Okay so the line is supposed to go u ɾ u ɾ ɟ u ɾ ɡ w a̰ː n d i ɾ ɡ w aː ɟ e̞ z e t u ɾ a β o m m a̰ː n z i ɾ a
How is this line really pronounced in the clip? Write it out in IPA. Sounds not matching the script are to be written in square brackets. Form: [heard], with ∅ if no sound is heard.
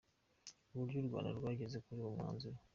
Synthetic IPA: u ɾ u ɾ ɟ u ɾ ɡ w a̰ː n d [a] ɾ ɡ w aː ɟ e̞ z e [k] u ɾ [i] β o m [ŋ] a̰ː n z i ɾ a